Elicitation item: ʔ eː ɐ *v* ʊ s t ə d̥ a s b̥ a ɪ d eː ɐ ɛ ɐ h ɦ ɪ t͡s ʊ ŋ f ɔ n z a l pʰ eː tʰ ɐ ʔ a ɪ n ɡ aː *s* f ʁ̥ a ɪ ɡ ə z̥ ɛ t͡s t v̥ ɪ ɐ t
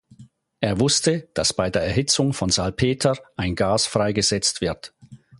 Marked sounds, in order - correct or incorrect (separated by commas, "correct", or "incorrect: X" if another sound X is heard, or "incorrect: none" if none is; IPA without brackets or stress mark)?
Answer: correct, correct